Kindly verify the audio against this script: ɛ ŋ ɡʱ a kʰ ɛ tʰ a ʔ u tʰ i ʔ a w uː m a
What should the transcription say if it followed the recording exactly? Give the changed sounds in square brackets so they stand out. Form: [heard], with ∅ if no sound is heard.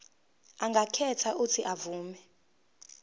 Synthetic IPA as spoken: [a] ŋ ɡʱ a kʰ ɛ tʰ a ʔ u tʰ i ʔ a [v] uː m [ɛ]